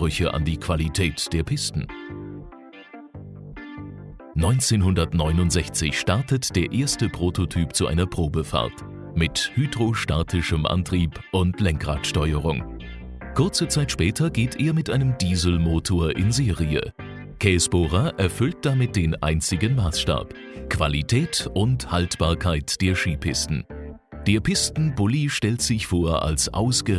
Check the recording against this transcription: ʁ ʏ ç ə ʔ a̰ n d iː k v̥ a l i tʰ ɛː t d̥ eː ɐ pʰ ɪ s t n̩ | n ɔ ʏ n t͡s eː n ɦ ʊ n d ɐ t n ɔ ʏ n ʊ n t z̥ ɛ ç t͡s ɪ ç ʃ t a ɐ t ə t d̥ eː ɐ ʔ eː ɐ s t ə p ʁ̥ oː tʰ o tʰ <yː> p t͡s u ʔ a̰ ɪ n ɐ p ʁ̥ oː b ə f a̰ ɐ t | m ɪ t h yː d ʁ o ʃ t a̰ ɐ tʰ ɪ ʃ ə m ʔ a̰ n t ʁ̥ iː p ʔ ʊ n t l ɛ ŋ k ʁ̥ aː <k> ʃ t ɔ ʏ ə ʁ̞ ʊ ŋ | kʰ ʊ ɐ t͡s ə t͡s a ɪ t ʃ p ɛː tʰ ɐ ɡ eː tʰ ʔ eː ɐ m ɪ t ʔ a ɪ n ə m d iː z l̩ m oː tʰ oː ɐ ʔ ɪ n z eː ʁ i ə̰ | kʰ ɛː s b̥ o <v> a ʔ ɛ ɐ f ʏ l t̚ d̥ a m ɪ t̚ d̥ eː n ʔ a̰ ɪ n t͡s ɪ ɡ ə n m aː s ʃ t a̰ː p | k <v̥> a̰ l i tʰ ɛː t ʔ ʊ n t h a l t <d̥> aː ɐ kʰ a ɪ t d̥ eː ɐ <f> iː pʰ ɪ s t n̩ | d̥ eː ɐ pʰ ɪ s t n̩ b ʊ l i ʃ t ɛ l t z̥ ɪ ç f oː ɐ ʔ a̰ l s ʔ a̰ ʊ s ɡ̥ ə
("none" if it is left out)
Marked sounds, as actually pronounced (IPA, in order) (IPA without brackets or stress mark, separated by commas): yː, t, ʁ, v̥, b̥, ʃ